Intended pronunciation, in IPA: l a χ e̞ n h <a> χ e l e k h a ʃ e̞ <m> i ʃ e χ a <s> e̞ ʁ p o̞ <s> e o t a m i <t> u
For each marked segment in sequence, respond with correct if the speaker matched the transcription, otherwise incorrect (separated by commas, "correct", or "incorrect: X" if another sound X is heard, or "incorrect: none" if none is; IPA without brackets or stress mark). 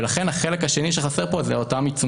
correct, incorrect: n, correct, incorrect: z, incorrect: t͡s